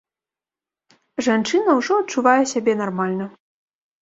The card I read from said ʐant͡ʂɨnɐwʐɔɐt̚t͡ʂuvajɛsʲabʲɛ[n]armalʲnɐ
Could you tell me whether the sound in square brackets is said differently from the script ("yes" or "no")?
no